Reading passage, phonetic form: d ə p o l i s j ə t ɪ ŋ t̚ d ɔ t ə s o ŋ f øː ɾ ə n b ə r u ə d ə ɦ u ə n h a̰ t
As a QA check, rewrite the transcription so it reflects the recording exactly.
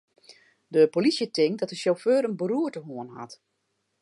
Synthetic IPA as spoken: d ə p o l i s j ə t ɪ ŋ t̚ d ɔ t ə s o f øː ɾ ə n b ə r u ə t ə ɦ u ə n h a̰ t